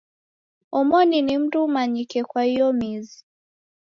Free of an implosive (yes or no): yes